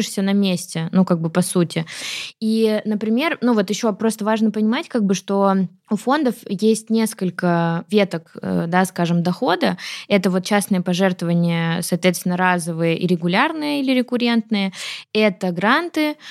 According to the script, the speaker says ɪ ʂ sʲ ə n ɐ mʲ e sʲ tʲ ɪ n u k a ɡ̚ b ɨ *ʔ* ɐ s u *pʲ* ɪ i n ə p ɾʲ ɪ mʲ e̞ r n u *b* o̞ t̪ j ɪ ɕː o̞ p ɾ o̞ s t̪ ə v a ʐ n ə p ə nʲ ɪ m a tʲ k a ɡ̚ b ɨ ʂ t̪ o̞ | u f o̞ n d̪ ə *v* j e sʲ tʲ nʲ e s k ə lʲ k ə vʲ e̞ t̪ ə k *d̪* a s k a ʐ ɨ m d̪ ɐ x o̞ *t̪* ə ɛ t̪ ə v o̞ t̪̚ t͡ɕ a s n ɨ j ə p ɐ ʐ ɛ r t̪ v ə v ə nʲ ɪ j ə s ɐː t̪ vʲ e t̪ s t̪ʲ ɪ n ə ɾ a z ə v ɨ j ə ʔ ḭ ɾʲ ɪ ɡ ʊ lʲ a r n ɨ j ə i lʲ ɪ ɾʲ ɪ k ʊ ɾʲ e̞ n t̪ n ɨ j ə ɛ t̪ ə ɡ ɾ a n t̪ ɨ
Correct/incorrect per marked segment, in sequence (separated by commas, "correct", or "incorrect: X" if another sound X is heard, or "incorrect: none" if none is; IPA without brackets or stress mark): incorrect: p, incorrect: tʲ, incorrect: v, incorrect: f, correct, incorrect: d̪